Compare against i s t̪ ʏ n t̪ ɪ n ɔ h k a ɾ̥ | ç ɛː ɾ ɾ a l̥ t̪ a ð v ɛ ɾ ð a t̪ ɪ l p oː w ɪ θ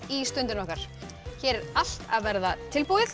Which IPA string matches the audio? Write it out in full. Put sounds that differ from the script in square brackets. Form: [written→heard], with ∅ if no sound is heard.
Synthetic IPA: i s t̪ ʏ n t̪ ɪ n ɔ h k a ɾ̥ | ç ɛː ɾ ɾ a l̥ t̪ a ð v ɛ ɾ ð a [t̪→t̪ʰ] ɪ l p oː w ɪ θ

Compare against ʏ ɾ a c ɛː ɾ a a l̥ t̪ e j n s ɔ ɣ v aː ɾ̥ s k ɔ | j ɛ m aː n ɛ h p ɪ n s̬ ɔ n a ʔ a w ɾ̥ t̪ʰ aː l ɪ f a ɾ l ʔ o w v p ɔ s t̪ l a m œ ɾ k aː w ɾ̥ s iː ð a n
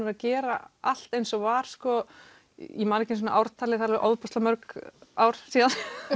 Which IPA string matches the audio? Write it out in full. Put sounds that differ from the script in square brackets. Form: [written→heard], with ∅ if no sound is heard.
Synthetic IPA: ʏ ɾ a c ɛː ɾ a a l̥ t̪ e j n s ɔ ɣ v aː ɾ̥ s k ɔ | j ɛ m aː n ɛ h [p→c] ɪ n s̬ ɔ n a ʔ a w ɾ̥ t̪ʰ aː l ɪ [f→θ] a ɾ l ʔ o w [v→ð] p ɔ s t̪ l a m œ ɾ k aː w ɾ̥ s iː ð a n

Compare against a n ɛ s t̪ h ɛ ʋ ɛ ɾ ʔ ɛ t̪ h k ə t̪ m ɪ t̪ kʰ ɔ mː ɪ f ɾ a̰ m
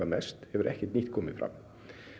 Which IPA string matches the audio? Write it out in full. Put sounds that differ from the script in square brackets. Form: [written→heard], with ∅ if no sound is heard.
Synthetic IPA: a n ɛ s t̪ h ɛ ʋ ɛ ɾ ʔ ɛ [t̪→∅] h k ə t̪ [m→n] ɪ t̪ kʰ ɔ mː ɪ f ɾ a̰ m

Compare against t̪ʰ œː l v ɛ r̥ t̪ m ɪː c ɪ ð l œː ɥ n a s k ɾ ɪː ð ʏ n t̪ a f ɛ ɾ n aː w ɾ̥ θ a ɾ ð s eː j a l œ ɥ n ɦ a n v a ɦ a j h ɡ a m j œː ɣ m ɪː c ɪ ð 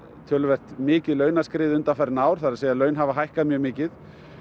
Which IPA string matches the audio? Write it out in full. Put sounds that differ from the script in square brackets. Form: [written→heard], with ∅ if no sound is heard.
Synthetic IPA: t̪ʰ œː l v ɛ r̥ t̪ m ɪː c ɪ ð l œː ɥ n a s k ɾ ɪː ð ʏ n t̪ a f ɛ ɾ n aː w ɾ̥ θ a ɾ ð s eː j a l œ ɥ n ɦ a [n→∅] v a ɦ a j h [ɡ→k] a m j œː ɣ m ɪː c ɪ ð

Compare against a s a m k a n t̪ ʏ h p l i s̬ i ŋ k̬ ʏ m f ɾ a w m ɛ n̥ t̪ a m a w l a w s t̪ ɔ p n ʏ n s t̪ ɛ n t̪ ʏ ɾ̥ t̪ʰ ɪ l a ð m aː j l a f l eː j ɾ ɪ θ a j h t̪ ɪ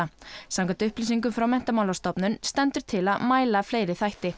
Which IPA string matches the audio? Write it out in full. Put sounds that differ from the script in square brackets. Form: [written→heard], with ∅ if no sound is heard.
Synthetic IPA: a s a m k a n t̪ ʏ h p l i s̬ i ŋ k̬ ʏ m f ɾ a w m ɛ n̥ t̪ a m a w l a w s t̪ ɔ p n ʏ n s t̪ ɛ n t̪ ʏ ɾ̥ t̪ʰ ɪ l a ð m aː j l a f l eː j ɾ ɪ θ a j h t̪ ɪ

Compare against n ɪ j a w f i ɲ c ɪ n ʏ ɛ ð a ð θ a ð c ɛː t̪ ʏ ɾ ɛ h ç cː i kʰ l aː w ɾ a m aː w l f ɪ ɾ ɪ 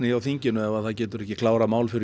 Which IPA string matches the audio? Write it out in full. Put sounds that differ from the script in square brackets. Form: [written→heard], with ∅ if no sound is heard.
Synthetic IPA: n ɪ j a w [f→θ] i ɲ c ɪ n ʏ ɛ [ð→v] a ð θ a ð c ɛː t̪ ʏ ɾ ɛ h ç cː [i→ɪ] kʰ l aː w ɾ a m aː w l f ɪ ɾ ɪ

